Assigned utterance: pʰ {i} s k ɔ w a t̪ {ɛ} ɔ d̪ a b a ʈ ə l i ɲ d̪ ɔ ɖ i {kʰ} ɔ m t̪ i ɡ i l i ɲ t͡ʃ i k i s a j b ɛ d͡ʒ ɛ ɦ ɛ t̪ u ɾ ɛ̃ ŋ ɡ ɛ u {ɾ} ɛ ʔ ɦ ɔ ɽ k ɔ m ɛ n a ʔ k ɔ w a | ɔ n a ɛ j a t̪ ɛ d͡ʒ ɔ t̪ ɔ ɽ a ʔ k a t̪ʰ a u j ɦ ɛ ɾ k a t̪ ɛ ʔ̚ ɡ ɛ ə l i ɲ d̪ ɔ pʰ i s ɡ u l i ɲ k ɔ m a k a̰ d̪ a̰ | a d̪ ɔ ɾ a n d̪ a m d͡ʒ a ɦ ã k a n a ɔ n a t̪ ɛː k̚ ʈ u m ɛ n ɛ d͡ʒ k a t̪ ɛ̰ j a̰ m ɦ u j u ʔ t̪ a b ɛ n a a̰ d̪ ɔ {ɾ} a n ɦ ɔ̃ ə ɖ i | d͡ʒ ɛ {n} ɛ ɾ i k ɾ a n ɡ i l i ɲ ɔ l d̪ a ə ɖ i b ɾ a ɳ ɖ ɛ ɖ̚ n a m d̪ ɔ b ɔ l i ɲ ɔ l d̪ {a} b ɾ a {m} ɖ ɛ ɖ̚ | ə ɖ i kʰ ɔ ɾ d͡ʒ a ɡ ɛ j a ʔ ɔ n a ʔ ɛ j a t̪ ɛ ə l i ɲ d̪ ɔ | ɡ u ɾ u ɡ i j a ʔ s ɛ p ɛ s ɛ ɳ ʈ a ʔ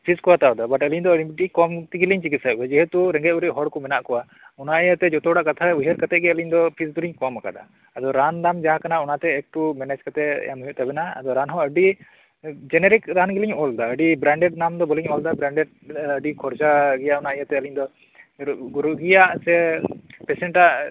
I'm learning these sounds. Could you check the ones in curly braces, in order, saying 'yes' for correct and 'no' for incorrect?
yes, no, no, yes, yes, yes, yes, no

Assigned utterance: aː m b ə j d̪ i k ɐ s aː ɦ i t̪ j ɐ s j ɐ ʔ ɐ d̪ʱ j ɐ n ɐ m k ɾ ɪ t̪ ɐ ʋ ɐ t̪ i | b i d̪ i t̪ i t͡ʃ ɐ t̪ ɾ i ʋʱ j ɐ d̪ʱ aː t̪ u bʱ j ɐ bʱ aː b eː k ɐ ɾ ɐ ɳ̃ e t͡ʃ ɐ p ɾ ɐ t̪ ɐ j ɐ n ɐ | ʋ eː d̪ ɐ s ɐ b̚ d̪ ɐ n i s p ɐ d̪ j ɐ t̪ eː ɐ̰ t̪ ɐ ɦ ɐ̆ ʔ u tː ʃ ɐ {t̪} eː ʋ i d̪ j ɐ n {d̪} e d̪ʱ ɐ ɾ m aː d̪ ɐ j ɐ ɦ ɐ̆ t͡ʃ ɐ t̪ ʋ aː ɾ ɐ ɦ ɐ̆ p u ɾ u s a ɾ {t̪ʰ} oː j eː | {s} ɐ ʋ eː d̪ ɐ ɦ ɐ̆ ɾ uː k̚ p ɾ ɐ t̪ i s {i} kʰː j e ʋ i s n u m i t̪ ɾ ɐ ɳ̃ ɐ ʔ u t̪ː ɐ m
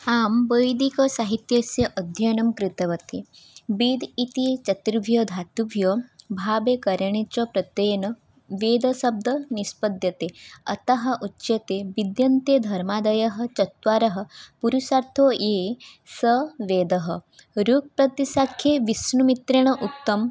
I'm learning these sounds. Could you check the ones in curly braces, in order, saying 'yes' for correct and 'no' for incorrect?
yes, no, yes, yes, no

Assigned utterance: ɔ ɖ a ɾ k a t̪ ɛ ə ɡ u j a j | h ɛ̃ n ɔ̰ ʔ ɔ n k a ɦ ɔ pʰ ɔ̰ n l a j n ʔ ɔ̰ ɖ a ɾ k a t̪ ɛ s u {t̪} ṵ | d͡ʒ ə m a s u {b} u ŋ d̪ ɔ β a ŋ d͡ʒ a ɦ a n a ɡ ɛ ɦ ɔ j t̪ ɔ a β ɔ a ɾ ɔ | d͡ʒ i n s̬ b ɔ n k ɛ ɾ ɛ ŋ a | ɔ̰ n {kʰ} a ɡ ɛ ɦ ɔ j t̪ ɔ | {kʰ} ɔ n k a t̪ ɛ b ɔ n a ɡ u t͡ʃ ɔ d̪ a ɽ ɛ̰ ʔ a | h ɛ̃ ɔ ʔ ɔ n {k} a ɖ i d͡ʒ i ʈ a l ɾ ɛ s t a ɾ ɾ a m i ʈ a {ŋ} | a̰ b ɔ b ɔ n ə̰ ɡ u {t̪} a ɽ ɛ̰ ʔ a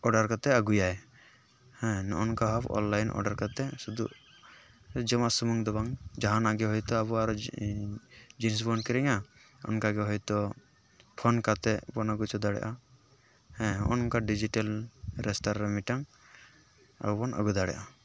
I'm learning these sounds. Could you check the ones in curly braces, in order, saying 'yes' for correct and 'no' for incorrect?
no, no, no, no, yes, yes, no

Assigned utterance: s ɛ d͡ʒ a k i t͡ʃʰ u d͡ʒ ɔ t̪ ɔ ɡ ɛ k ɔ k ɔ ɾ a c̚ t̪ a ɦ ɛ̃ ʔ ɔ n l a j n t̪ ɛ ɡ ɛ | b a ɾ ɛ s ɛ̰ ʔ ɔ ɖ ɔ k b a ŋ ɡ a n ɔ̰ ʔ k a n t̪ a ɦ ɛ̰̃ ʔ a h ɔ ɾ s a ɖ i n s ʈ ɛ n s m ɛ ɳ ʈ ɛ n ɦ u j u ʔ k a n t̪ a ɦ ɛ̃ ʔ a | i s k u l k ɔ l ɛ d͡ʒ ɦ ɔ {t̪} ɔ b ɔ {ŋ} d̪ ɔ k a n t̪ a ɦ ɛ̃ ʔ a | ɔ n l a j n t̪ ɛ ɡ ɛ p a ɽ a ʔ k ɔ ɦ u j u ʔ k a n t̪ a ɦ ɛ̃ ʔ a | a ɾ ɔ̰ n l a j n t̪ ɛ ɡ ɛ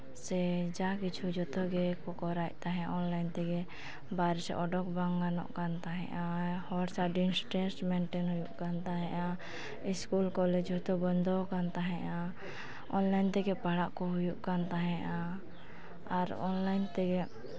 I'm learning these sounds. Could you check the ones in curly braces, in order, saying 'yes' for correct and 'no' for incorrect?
yes, no

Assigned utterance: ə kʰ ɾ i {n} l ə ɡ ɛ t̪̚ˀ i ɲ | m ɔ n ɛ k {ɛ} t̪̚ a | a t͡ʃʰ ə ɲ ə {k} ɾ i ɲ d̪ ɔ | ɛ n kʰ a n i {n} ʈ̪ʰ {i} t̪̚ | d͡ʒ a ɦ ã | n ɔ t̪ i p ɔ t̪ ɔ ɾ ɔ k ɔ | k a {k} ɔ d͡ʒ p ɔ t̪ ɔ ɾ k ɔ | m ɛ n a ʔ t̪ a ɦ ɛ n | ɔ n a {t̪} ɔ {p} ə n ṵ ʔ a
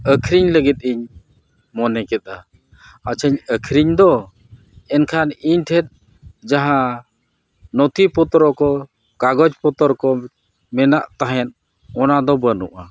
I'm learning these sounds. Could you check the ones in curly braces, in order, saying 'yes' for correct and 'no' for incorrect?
no, yes, no, no, no, no, no, no

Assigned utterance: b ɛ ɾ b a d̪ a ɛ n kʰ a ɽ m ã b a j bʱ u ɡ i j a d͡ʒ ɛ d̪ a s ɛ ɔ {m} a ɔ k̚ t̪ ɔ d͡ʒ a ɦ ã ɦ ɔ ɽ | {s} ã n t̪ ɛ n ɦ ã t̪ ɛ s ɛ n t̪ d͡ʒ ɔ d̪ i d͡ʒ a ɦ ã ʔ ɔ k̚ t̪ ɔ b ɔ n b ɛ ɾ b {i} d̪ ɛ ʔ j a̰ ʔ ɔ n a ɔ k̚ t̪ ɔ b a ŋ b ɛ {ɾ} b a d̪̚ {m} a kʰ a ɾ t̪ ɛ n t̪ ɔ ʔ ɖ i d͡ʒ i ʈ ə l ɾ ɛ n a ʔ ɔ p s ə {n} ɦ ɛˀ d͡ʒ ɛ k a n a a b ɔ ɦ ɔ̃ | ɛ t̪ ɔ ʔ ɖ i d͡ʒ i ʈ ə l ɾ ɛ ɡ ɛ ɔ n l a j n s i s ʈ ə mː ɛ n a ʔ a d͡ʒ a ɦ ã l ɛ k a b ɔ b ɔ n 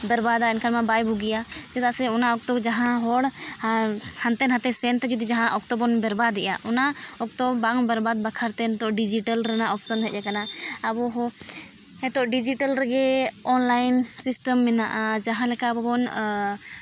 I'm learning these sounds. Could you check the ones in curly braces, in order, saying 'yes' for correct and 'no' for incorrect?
no, no, no, yes, no, yes

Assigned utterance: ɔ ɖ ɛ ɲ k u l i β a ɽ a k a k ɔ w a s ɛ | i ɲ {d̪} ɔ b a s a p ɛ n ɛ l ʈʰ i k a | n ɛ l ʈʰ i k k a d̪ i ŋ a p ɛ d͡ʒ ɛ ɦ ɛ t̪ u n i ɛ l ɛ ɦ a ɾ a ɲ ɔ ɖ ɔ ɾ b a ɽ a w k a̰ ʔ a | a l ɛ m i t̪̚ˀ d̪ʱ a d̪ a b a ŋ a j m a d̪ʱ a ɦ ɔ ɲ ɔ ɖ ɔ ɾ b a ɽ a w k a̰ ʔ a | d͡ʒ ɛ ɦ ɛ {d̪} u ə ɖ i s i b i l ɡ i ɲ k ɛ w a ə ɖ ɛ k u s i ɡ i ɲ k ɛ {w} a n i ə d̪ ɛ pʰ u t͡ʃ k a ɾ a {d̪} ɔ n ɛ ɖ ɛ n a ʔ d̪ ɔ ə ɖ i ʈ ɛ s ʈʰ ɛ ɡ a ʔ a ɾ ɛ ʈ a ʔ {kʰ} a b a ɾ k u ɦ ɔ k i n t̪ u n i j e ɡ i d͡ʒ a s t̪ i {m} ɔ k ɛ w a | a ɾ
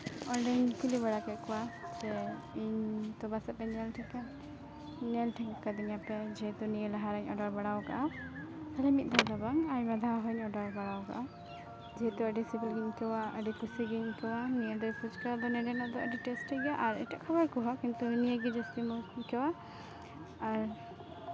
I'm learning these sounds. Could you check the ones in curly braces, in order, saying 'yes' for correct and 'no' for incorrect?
no, no, yes, yes, yes, yes

